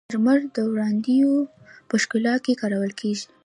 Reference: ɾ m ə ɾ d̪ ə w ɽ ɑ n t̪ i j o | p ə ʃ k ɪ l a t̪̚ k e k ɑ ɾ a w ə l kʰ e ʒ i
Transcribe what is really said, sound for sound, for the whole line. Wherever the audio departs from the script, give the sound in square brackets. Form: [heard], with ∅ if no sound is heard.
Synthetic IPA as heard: ɾ m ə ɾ d̪ ə w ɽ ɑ n [d̪] i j o | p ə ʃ k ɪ l [ɑ] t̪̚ k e k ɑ ɾ a w ə l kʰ e ʒ i